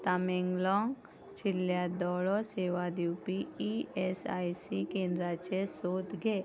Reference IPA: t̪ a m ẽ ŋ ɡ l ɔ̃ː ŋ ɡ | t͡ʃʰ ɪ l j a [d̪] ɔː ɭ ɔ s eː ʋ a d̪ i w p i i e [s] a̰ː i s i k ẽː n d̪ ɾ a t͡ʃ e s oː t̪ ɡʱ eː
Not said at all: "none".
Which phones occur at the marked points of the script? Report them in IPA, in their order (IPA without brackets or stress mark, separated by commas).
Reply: d̪, s